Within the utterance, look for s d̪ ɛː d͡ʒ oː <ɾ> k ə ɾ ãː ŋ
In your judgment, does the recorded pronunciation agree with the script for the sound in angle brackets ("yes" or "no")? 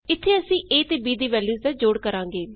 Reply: no